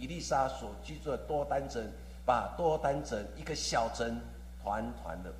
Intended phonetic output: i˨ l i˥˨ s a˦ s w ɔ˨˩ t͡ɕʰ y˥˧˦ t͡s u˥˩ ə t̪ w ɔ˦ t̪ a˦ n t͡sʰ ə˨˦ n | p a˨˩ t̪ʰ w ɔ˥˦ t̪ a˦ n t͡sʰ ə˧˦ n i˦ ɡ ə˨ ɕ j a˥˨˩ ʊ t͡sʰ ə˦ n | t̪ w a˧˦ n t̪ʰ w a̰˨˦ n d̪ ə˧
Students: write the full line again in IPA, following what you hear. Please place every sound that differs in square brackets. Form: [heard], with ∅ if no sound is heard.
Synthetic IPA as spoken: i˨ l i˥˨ s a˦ s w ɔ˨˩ [t͡ɕ] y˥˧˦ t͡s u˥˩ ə t̪ w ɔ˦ t̪ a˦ n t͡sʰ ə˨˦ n | p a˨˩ [t̪] w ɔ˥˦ t̪ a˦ n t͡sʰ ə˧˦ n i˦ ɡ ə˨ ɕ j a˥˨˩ ʊ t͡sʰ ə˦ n | [t̪ʰ] w a˧˦ n t̪ʰ w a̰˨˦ n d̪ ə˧